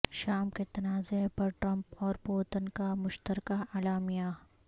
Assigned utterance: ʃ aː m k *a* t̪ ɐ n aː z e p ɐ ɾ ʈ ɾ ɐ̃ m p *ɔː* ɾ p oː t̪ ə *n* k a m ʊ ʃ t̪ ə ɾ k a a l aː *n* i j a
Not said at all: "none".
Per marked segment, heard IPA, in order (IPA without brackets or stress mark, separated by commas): e, ɔː, n, m